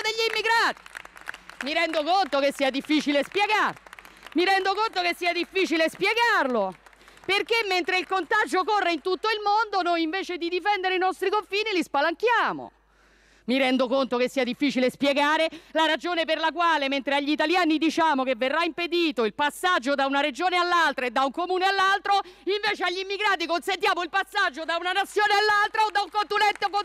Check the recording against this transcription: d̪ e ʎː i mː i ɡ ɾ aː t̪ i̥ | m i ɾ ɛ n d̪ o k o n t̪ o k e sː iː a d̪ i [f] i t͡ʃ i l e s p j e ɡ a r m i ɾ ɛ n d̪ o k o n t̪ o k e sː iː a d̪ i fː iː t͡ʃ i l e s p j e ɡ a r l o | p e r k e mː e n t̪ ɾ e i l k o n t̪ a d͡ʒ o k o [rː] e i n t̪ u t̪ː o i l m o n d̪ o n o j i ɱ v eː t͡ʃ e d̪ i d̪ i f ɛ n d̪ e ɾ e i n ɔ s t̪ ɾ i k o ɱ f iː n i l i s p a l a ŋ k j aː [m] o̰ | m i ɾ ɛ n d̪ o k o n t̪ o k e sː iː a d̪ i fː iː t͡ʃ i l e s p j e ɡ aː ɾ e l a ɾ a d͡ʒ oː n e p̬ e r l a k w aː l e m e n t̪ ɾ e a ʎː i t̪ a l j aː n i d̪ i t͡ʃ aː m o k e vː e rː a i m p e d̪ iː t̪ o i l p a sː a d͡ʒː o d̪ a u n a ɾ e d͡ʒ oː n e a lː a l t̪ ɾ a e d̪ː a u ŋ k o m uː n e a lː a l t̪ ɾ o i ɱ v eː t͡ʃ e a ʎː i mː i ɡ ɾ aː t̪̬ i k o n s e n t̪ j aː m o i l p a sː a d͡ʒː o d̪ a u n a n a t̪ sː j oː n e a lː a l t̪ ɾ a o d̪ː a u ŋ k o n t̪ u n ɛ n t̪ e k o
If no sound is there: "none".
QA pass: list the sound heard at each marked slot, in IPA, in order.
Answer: fː, rː, m

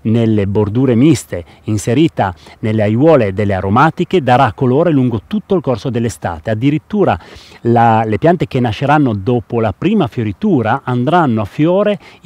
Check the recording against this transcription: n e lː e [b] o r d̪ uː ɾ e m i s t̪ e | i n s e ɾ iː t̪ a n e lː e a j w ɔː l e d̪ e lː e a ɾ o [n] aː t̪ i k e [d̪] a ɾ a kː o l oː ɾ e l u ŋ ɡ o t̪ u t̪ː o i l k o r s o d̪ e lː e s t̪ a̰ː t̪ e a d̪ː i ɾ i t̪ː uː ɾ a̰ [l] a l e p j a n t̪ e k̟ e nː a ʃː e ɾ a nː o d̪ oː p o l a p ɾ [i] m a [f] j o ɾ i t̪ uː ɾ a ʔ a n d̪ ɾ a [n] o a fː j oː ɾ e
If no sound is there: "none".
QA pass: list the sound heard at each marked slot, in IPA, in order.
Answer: b, m, d̪, l, iː, f, nː

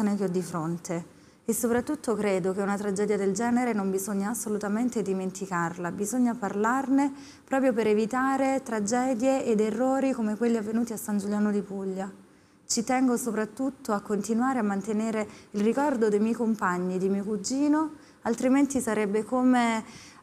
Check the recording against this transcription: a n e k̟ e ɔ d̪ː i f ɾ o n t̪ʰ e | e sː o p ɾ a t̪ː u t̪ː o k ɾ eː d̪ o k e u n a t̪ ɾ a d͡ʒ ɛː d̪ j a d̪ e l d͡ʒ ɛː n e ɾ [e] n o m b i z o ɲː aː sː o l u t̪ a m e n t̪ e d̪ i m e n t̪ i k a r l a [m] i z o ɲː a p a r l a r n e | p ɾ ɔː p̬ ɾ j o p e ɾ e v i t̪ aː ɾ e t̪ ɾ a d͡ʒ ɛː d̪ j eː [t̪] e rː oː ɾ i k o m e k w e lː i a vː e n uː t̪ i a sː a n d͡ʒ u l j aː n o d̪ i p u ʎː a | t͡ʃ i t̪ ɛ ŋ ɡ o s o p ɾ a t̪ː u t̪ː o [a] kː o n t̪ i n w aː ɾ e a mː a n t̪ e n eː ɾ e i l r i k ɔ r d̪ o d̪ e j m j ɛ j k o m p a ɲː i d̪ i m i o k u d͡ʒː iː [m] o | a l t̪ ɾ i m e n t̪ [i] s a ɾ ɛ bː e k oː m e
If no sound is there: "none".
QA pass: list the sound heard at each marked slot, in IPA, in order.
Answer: e, b, d̪, a, n, i

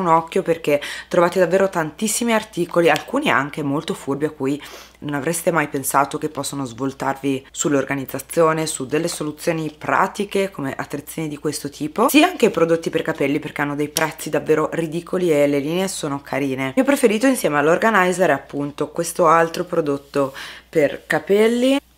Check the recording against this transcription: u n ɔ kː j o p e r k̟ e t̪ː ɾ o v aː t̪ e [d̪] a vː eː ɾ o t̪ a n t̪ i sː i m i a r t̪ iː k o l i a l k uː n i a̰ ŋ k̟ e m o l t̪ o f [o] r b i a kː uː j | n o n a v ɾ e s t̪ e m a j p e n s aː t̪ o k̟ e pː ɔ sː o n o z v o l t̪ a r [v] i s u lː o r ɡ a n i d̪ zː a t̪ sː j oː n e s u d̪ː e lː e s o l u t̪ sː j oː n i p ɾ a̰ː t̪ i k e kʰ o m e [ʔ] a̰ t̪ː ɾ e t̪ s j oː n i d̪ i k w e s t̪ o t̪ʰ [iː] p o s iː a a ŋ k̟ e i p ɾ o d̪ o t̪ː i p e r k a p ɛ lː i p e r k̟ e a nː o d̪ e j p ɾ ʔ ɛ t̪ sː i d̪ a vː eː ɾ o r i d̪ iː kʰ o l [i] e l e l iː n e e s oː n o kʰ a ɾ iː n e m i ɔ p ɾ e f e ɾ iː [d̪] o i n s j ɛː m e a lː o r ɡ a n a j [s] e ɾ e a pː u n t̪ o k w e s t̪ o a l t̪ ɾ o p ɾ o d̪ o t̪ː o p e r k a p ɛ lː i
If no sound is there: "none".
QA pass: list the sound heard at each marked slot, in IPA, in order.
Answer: d̪, u, v, ʔ, iː, i, t̪, z

